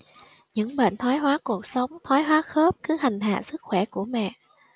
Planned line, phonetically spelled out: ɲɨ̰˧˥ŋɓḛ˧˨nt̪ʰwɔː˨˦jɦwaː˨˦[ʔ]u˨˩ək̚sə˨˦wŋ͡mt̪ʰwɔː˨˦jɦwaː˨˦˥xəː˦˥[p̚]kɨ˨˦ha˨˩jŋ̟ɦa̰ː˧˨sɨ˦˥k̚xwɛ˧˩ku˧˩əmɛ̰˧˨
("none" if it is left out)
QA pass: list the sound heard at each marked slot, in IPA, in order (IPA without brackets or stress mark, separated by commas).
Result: k, p̚